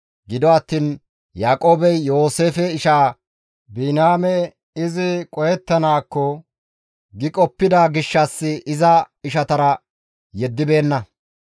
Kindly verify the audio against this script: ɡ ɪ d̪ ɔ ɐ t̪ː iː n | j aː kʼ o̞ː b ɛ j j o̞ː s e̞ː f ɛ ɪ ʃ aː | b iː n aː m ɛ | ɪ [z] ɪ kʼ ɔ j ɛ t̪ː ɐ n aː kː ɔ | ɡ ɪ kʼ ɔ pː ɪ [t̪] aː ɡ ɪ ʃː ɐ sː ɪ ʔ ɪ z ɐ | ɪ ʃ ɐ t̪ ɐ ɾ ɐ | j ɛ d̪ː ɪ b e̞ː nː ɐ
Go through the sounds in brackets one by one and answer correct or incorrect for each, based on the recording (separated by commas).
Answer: correct, incorrect